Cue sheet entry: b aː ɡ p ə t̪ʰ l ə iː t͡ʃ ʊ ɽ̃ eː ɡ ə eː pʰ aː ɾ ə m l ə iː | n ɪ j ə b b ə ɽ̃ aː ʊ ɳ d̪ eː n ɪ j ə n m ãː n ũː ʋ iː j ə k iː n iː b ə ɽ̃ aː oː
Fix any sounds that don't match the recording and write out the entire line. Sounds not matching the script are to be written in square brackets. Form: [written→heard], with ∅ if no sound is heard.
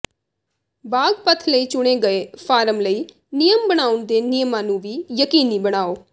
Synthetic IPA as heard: b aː ɡ p ə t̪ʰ l ə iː t͡ʃ ʊ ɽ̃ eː ɡ ə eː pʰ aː ɾ ə m l ə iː | n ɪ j ə [b→m] b ə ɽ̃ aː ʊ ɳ d̪ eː n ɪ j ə [n→∅] m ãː n ũː ʋ iː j ə k iː n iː b ə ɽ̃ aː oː